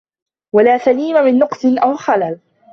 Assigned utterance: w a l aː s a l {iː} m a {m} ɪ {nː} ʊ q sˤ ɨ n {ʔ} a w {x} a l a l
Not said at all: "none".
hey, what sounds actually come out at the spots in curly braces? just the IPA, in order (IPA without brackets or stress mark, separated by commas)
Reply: iː, m, nː, ʔ, x